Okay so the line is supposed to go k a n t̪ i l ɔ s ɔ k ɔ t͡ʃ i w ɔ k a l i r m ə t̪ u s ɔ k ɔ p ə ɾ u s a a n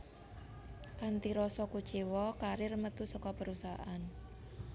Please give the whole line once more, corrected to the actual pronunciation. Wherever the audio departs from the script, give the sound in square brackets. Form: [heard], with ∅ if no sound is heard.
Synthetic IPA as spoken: k a n t̪ i [ɾ] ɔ s ɔ k [u] t͡ʃ i w ɔ k a [ɾ] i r m ə t̪ u s ɔ k ɔ p ə ɾ u s a a n